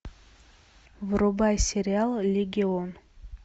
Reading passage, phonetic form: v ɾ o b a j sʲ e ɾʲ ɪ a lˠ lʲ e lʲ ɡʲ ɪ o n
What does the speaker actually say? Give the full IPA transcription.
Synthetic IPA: v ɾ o b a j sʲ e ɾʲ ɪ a lˠ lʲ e ɡʲ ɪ o n